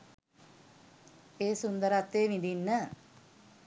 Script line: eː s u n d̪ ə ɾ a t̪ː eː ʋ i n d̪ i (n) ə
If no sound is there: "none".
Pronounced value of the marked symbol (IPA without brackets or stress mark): nː